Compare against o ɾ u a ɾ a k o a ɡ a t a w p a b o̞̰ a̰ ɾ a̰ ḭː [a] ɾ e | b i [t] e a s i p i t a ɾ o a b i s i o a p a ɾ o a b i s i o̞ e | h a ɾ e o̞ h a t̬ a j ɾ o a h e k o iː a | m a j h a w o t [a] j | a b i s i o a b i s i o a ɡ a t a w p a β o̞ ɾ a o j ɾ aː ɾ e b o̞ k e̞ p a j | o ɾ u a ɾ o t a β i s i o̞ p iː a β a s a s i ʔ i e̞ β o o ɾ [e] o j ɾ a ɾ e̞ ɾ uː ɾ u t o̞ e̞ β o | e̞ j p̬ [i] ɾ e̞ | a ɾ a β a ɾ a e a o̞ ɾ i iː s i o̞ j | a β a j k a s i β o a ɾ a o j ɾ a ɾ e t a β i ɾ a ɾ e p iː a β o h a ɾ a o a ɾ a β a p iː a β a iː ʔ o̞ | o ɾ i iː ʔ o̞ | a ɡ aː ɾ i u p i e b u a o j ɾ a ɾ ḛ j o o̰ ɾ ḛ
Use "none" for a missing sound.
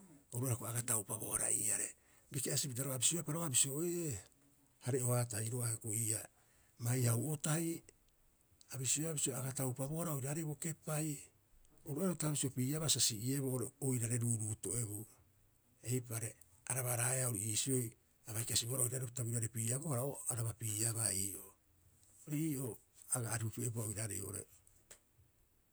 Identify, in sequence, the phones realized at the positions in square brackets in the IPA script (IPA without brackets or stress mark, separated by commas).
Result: a, k, a, e, a